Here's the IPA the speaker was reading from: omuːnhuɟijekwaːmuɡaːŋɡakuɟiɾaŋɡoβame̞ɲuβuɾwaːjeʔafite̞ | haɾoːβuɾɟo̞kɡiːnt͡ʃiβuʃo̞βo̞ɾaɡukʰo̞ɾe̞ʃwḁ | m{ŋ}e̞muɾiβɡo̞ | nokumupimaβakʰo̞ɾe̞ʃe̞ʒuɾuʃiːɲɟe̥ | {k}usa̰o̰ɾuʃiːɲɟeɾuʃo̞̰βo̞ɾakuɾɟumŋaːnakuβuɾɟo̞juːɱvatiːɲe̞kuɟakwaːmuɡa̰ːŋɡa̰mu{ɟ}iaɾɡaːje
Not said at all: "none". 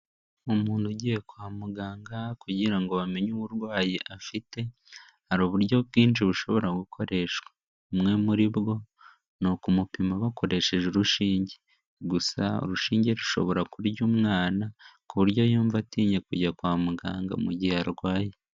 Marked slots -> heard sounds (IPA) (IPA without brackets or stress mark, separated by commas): ŋ, ɡ, ɟ